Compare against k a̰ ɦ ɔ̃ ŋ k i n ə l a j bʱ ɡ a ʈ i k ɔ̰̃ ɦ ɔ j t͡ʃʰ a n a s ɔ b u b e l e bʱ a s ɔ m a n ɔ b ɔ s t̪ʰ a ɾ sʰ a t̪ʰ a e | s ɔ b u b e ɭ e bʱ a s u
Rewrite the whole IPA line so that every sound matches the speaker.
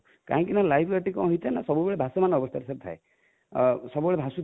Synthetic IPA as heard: k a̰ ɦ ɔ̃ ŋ k i n a l a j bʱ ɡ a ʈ i k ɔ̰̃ ɦ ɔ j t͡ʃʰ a n a s ɔ b u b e ɭ e bʱ a s ɔ m a n ɔ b ɔ s t̪ʰ a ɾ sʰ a t̪ʰ a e | s ɔ b u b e ɭ e bʱ a s u